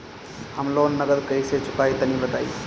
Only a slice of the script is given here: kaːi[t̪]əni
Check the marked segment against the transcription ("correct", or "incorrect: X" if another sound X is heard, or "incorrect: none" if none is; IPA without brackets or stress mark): correct